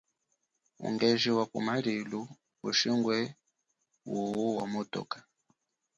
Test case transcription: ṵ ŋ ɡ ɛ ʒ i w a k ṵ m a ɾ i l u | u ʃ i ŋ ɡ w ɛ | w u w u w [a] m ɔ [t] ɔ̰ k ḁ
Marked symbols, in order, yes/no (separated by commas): yes, yes